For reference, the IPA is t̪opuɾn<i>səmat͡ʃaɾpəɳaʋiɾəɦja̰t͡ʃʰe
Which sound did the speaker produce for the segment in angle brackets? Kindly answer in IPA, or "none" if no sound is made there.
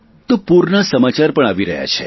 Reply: a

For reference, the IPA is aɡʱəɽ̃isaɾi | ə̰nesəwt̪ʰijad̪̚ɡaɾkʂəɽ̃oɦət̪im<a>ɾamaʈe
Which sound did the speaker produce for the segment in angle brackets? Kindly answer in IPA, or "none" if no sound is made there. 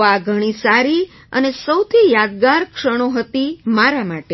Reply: a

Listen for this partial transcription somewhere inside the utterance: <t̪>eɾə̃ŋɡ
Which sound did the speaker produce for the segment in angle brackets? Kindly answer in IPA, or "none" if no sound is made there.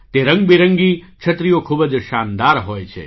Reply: t̪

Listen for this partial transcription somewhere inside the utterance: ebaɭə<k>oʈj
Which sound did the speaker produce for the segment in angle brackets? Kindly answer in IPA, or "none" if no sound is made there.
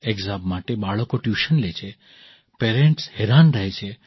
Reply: k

